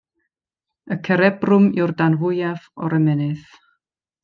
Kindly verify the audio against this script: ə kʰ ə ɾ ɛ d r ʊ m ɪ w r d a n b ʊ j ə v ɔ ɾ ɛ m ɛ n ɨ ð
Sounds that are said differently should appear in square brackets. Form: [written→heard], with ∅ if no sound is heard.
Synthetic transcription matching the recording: ə kʰ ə ɾ ɛ [d→b] r ʊ m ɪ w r d a n [b→v] ʊ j [ə→a] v ɔ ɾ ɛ m ɛ n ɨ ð